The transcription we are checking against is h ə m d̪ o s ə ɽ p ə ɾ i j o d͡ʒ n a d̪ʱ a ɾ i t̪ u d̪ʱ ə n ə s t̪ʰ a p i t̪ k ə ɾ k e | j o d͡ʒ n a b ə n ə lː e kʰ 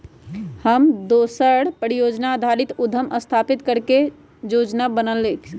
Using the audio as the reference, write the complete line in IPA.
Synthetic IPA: h ə m d̪ o s ə ɽ p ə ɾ i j o d͡ʒ n a d̪ʱ a ɾ i t̪ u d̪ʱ ə m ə s t̪ʰ a p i t̪ k ə ɾ k e | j o d͡ʒ n a b ə n ə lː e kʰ